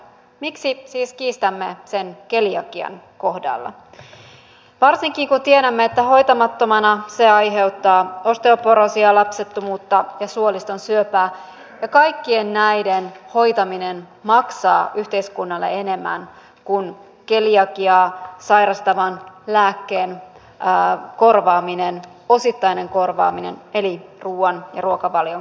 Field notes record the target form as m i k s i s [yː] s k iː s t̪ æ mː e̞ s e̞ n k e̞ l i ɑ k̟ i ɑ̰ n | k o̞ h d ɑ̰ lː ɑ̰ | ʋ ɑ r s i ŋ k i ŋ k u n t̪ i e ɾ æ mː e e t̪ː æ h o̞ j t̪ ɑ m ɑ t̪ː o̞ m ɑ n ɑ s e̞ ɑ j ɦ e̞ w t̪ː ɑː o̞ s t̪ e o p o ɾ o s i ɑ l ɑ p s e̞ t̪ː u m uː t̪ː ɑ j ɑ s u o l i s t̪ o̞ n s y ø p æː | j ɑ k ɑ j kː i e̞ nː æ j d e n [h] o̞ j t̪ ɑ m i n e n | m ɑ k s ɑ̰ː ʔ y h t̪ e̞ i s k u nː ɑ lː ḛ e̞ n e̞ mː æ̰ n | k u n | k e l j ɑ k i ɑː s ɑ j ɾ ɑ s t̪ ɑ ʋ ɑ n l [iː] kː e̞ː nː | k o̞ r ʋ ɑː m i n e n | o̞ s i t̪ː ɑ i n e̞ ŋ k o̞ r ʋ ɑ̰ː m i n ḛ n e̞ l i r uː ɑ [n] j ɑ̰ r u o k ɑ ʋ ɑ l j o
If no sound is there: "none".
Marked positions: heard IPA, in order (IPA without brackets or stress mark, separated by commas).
iː, h, æː, n